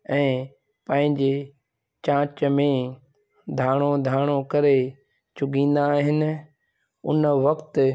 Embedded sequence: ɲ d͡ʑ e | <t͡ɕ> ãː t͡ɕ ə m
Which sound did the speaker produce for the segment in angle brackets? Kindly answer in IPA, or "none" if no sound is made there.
t͡ɕ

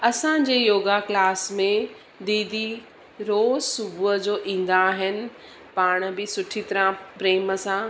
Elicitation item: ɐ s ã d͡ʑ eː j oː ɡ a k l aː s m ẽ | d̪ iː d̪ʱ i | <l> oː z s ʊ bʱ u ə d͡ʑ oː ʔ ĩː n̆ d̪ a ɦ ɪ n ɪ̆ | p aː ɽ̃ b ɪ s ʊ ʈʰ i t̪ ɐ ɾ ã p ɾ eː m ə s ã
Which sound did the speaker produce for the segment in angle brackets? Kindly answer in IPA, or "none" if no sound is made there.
ɾ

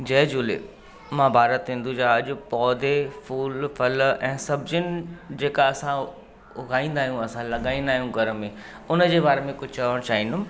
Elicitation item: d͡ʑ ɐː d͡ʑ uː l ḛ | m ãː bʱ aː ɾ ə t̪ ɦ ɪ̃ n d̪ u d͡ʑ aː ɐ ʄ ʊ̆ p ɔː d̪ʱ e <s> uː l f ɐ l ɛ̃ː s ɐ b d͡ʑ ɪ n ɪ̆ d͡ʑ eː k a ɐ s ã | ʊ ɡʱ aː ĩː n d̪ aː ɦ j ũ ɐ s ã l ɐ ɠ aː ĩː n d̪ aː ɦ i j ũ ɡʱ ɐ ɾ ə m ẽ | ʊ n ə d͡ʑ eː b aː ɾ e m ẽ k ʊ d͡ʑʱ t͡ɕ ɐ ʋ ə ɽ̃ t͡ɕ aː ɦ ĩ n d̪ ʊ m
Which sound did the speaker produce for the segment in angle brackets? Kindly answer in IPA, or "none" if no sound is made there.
f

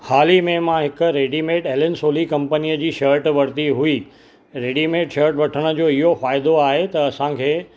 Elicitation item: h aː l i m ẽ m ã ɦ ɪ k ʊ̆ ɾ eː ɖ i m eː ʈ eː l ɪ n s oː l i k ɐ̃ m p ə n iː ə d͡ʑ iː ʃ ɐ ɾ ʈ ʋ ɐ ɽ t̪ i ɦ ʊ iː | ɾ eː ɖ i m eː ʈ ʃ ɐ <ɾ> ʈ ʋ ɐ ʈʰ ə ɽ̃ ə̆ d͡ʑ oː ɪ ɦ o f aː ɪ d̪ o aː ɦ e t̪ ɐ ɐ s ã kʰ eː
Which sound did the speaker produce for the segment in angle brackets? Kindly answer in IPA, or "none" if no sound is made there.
ɾ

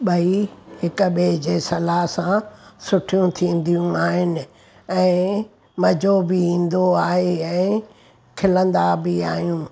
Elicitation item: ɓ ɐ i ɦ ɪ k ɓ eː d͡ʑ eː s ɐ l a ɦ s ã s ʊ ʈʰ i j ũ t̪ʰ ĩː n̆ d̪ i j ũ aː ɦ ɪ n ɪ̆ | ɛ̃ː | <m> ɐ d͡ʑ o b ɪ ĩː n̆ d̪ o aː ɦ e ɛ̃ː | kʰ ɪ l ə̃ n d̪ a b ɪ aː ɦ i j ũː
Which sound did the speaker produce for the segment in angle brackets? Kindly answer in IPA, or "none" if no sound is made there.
m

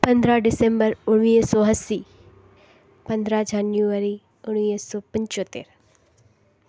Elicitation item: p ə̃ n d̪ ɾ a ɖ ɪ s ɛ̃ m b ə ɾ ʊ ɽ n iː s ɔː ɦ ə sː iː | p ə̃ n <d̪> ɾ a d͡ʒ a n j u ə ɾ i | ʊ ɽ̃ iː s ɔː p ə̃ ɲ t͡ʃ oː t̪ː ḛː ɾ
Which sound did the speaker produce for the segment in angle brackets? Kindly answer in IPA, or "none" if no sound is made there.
d̪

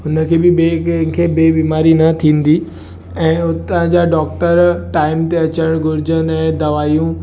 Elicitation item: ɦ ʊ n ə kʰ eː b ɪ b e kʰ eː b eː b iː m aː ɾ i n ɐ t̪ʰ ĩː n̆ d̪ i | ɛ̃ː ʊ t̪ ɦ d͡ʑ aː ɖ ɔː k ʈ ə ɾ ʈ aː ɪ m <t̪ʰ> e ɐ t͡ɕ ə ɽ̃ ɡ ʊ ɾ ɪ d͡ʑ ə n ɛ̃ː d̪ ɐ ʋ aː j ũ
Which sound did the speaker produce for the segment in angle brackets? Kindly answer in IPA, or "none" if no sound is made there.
t̪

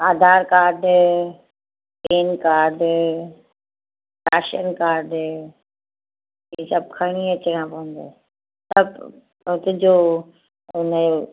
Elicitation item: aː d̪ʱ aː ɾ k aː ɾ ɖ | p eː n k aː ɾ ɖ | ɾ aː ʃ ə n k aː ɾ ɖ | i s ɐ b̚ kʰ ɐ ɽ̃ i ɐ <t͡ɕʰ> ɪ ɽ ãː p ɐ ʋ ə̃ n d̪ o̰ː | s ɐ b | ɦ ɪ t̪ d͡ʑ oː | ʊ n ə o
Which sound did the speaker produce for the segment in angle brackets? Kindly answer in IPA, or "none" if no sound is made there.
t͡ɕ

